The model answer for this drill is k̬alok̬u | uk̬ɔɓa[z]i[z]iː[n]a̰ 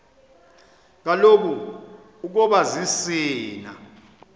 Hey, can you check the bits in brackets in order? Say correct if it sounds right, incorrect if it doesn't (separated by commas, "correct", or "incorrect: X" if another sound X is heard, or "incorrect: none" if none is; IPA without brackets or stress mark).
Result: correct, incorrect: s, correct